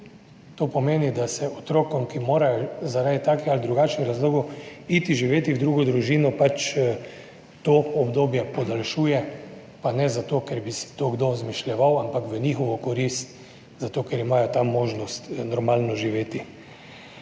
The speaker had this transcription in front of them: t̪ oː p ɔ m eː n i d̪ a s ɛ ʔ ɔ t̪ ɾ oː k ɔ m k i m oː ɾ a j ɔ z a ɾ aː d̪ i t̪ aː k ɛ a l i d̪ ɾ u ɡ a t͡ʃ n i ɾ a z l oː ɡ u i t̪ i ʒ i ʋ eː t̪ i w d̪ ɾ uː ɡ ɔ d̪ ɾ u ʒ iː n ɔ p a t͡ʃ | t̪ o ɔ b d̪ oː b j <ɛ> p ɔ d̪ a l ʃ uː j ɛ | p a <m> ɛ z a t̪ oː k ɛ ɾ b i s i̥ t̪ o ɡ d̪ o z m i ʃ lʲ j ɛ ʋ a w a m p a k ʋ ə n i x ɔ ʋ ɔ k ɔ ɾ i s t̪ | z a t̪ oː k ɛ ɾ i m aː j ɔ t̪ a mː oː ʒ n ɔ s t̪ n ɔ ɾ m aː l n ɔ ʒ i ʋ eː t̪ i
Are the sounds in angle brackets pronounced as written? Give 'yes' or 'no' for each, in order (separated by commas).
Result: yes, no